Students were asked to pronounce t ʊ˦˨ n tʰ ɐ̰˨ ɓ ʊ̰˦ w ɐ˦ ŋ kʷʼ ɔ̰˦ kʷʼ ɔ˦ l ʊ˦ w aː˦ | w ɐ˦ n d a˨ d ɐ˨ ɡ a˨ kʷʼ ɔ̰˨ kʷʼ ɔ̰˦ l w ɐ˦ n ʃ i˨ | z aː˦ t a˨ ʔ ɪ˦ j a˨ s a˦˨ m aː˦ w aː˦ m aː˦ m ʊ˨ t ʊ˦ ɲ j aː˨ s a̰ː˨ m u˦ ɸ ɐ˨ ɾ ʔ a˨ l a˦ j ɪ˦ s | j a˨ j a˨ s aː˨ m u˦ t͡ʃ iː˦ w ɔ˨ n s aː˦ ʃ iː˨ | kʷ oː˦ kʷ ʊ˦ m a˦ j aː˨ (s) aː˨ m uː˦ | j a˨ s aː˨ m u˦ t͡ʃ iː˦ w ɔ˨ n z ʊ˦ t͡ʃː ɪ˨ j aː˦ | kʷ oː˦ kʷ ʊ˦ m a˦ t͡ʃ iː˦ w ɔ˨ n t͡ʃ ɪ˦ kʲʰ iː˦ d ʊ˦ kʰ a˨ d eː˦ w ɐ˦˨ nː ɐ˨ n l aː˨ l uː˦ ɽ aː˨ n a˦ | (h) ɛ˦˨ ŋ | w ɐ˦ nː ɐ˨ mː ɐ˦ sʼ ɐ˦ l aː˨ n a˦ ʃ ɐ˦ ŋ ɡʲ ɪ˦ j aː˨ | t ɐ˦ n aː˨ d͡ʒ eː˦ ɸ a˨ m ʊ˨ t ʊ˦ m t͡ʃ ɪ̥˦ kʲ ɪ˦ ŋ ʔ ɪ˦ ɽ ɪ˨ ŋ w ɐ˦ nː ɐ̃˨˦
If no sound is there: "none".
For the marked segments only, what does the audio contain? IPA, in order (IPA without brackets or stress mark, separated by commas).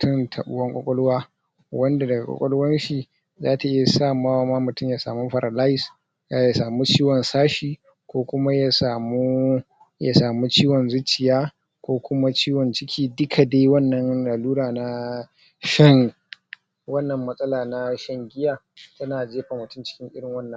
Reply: s, ʃ